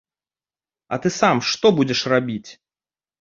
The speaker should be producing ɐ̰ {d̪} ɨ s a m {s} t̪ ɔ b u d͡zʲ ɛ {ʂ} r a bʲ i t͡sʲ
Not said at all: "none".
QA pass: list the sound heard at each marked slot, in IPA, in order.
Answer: t̪, ʂ, ʂ

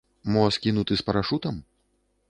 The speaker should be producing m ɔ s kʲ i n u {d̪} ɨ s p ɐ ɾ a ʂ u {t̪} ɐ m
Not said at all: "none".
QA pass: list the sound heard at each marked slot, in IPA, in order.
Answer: t̪, t̪

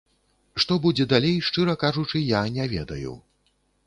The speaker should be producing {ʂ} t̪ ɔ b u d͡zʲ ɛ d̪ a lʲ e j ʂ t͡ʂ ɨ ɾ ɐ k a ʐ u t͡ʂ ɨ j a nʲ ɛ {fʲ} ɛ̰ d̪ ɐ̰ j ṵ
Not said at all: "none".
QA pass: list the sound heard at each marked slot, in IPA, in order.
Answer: ʂ, vʲ

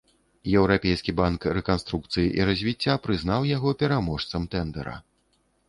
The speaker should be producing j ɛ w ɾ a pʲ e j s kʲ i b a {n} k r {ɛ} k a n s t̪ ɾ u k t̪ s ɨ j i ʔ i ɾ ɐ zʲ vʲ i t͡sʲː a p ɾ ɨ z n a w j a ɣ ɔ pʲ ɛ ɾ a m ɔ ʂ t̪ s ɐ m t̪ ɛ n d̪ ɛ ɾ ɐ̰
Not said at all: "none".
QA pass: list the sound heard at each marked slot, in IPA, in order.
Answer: n, ɛ

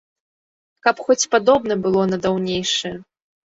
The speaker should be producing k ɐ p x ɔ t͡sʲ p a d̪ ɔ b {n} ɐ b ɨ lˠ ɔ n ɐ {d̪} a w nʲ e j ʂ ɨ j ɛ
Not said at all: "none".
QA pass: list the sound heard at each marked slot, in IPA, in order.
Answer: n, d̪

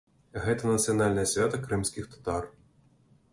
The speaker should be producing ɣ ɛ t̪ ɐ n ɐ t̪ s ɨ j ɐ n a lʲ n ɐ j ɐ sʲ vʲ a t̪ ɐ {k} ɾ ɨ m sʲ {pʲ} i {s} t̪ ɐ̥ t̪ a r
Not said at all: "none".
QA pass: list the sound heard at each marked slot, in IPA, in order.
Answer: k, kʲ, x

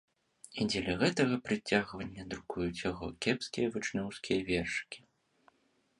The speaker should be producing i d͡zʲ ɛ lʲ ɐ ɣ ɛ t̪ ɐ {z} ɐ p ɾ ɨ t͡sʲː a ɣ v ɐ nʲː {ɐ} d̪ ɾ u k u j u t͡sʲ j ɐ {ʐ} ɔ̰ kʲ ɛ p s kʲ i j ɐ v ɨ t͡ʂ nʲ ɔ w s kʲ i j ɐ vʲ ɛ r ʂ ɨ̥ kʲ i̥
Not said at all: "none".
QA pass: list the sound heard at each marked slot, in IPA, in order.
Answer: ɣ, ɐ, ɣ

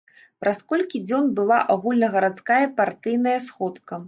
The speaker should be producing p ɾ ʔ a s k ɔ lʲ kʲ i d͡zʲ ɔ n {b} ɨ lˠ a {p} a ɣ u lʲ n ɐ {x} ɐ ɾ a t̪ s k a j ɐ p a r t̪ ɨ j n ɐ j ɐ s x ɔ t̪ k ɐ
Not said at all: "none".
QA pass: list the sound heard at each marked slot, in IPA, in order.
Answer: b, ʔ, ɣ

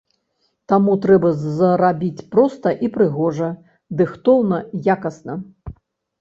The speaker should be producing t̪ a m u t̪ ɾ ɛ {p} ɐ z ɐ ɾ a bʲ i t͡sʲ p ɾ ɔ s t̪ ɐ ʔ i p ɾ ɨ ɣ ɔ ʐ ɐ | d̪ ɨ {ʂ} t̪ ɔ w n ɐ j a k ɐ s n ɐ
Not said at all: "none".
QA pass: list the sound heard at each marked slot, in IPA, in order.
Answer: b, x

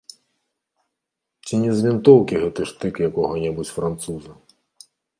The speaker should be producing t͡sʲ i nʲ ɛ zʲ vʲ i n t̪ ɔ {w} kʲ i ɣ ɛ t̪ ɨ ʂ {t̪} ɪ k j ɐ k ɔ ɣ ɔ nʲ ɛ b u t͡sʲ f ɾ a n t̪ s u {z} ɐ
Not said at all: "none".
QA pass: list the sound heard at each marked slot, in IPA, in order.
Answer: w, t̪, z

